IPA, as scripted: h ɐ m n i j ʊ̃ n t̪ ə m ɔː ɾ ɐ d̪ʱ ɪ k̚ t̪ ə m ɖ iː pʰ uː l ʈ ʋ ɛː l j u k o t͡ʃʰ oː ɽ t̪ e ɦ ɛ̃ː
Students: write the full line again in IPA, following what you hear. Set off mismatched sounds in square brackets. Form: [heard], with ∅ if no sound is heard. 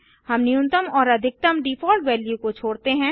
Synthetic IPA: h ɐ m n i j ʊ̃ n t̪ ə m ɔː ɾ ɐ d̪ʱ ɪ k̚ t̪ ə m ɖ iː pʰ [ɔː] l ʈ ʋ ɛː l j u k o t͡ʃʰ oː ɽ t̪ e ɦ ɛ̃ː

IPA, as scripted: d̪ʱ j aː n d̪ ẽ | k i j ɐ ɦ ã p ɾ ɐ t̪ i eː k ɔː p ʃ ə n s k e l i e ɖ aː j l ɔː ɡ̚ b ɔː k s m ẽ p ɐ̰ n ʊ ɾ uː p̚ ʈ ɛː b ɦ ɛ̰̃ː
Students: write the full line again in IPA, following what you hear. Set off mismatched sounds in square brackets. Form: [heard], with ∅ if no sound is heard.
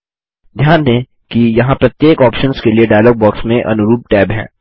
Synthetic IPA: d̪ʱ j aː n d̪ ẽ | k i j ɐ ɦ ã p ɾ ɐ t̪ [j] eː k ɔː p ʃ ə n s k e l i e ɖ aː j l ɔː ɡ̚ b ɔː k s m ẽ [ʔ] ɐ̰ n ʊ ɾ uː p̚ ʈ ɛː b ɦ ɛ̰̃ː

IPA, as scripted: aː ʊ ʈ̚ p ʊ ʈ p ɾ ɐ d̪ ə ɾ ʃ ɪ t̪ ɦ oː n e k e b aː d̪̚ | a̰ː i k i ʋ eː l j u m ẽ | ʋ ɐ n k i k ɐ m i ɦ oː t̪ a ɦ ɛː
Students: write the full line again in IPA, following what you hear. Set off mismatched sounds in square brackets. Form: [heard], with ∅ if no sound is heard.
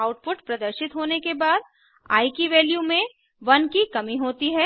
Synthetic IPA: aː ʊ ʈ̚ p ʊ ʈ p ɾ ɐ d̪ ə ɾ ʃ ɪ t̪ ɦ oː n e k e b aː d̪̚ | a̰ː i k i ʋ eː l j u m ẽ | ʋ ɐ n k i k ɐ m i ɦ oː t̪ [i] ɦ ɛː

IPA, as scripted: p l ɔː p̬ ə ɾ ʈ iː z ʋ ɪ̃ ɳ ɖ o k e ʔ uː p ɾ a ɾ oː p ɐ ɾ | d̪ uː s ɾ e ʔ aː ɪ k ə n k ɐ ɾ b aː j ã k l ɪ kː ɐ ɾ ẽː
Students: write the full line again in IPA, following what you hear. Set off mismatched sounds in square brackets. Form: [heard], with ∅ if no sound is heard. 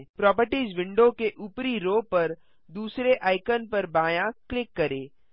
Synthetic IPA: p [ɾ] ɔː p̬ ə ɾ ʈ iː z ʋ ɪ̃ ɳ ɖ o k e ʔ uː p ɾ [i] ɾ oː p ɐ ɾ | d̪ uː s ɾ e ʔ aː ɪ k ə n [p] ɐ ɾ b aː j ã k l ɪ kː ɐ ɾ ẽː

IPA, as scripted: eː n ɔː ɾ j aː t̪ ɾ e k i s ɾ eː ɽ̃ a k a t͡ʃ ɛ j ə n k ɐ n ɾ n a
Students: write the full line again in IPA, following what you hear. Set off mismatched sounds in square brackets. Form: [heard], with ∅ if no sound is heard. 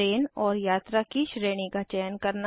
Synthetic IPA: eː n ɔː ɾ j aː t̪ ɾ [a] k i [ʃ] ɾ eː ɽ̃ [i] k a t͡ʃ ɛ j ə n k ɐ [∅] ɾ n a

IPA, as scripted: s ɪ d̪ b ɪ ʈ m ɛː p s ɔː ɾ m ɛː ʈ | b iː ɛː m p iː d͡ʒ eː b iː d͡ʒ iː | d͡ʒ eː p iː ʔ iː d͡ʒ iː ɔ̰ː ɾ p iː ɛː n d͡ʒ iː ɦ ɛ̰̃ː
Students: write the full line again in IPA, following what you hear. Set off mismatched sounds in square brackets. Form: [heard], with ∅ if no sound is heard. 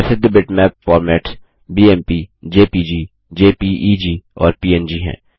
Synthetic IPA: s ɪ d̪ b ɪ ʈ m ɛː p [f] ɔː ɾ m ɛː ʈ | b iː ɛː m p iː d͡ʒ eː [p] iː d͡ʒ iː | d͡ʒ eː p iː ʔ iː d͡ʒ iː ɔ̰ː ɾ p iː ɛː n d͡ʒ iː ɦ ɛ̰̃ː

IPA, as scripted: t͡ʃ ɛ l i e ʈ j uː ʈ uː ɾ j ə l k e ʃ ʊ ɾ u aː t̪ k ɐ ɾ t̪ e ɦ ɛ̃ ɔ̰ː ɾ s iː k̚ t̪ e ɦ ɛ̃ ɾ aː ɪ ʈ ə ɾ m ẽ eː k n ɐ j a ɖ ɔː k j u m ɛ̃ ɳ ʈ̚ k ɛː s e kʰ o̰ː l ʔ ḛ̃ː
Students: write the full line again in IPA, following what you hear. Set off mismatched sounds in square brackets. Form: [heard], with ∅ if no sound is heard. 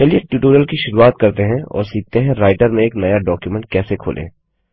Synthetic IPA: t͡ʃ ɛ l i e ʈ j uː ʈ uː ɾ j ə l k [i] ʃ ʊ ɾ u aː t̪ k ɐ ɾ t̪ e ɦ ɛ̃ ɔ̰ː ɾ s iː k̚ t̪ e ɦ ɛ̃ ɾ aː ɪ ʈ ə ɾ m ẽ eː k n ɐ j a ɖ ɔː k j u m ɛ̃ ɳ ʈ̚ k ɛː s e kʰ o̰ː l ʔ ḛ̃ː

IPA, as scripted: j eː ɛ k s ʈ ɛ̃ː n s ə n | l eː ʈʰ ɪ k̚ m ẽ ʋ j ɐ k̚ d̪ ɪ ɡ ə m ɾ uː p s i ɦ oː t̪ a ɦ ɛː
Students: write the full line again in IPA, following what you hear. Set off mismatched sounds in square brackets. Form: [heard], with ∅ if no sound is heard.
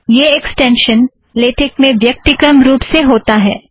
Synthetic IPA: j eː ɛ k s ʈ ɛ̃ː n [ʃ] ə n | l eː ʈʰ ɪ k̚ m ẽ ʋ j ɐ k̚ [t̪] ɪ [k] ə m ɾ uː p s [e] ɦ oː t̪ a ɦ ɛː

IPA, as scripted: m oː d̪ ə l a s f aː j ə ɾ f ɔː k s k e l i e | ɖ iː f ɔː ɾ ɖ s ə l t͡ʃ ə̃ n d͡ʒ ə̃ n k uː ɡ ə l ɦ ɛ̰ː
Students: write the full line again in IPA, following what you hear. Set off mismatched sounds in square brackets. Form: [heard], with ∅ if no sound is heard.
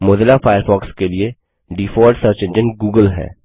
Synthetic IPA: m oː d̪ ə l a [∅] f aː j ə ɾ f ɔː k s k e l i e | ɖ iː f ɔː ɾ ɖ s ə [ɾ] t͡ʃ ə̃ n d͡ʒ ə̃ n [ɡ] uː ɡ ə l ɦ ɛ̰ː

